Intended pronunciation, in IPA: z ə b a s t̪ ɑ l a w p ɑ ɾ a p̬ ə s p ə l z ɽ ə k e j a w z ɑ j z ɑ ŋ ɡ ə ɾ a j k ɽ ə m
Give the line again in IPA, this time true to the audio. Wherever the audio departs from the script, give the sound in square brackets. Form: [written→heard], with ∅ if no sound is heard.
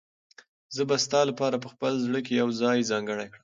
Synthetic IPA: z ə b a s t̪ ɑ l a [w→∅] p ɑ ɾ a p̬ ə [s→x] p ə l z ɽ ə k e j a w z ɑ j z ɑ ŋ ɡ ə [ɾ→ɽ] a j k ɽ ə m